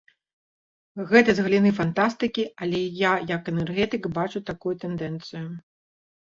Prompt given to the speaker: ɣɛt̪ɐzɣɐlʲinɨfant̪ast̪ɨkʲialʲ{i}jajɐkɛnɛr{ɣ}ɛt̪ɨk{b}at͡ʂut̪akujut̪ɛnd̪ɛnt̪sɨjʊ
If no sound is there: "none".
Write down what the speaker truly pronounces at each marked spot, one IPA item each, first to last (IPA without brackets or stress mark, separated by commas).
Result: ɛ, ɣ, b